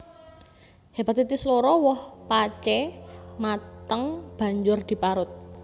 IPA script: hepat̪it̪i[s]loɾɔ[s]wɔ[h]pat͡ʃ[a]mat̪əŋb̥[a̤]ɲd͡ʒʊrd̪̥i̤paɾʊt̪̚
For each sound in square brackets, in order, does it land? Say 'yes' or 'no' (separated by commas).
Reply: yes, no, yes, no, yes